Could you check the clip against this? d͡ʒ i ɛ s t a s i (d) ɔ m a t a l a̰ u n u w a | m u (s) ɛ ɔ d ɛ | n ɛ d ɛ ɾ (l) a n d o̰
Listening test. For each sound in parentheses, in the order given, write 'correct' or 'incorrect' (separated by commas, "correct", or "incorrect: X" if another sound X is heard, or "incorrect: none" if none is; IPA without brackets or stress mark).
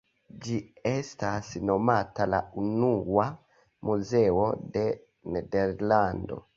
incorrect: n, incorrect: z, correct